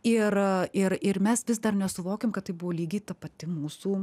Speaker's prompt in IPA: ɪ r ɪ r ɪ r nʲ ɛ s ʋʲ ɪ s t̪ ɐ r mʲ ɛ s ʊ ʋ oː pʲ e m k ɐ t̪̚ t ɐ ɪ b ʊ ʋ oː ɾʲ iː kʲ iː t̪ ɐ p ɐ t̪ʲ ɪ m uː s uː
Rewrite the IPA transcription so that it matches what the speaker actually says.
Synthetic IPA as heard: ɪ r ɪ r ɪ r mʲ ɛ s ʋʲ ɪ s d̪ ɐ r nʲ ɛ s ʊ ʋ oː kʲ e m k ɐ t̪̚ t ɐ ɪ b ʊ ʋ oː lʲ iː ɡʲ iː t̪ ɐ p ɐ t̪ʲ ɪ m uː s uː

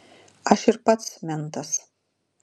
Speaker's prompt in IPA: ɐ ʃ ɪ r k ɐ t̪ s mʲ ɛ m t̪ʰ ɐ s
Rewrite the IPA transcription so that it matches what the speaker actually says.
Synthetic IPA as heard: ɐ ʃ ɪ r p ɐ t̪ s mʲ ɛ n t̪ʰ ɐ s

